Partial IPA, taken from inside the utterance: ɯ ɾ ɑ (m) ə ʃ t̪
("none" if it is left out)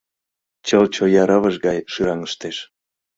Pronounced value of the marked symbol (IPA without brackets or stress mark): ŋ